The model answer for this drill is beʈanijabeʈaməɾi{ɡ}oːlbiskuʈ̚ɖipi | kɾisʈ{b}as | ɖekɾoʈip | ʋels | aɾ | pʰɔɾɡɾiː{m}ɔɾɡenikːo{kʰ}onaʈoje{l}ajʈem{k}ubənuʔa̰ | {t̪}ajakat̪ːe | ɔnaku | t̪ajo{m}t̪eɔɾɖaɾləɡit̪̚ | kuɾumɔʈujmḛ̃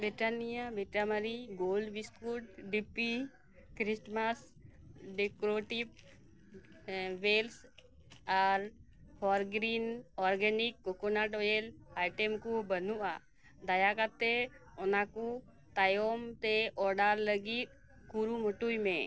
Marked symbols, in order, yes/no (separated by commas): yes, no, no, no, yes, yes, no, yes